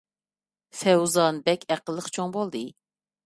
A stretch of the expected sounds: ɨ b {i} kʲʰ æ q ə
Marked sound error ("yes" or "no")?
yes